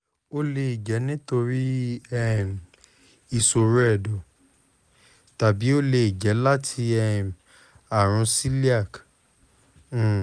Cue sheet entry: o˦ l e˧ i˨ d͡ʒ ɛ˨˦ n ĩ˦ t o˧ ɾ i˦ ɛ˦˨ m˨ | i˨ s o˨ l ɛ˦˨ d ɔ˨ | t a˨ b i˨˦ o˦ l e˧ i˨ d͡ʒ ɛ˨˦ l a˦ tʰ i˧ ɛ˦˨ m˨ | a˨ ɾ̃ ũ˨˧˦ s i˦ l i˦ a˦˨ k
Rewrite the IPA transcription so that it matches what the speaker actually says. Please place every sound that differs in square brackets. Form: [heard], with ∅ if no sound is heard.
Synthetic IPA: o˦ l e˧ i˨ d͡ʒ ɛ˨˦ n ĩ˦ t o˧ ɾ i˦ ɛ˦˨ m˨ | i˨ s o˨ [ɾ] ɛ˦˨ d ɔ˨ | t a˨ b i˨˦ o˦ l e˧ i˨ d͡ʒ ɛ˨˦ l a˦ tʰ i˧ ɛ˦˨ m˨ | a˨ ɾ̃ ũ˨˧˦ s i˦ l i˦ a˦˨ k